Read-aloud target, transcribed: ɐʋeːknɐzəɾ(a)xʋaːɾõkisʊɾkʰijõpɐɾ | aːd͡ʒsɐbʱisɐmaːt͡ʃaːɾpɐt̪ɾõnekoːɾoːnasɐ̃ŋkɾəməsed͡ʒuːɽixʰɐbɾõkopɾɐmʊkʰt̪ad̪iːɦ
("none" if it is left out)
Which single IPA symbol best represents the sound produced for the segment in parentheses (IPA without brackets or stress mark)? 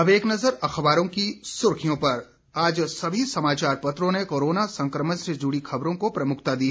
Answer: ɐ